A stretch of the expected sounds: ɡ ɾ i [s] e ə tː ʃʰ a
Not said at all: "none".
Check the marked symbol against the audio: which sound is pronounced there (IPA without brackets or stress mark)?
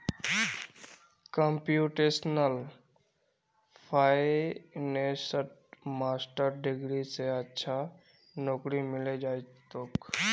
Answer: s